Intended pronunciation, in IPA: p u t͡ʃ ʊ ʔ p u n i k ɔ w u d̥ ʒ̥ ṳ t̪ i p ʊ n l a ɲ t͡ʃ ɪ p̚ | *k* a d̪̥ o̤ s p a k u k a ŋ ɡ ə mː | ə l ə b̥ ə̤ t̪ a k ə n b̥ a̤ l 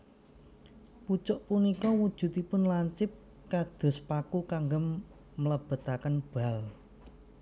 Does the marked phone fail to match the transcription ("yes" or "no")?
no